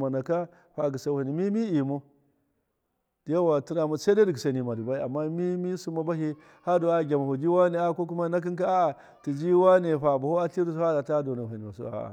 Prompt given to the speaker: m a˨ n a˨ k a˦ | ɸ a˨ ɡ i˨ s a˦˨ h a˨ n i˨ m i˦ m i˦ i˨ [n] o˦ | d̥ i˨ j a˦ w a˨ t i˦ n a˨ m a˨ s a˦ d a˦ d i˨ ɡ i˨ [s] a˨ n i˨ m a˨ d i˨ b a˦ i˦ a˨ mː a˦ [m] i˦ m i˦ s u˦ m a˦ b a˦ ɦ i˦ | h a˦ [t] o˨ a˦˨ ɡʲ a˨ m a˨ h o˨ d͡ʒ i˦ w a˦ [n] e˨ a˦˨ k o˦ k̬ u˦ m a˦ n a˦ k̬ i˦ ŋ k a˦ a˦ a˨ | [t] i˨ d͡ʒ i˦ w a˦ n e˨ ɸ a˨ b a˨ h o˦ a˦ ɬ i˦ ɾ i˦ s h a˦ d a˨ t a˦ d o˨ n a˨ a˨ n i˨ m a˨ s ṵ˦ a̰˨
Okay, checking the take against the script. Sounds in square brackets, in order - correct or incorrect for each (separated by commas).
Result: incorrect, correct, correct, incorrect, correct, correct